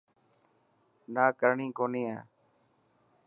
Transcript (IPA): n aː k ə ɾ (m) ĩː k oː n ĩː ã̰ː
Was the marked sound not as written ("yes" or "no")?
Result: yes